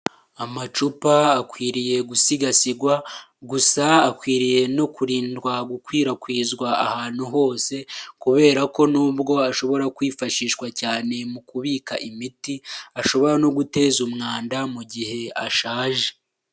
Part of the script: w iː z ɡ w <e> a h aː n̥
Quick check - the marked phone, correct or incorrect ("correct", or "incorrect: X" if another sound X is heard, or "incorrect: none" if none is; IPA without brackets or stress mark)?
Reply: incorrect: a